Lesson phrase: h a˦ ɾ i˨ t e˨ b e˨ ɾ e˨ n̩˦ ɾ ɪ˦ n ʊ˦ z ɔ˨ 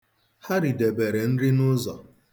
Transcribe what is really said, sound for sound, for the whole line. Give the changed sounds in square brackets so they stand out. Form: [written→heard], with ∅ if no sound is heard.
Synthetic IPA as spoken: h a˦ ɾ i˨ [t→d] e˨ b e˨ ɾ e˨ n̩˦ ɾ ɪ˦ n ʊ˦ z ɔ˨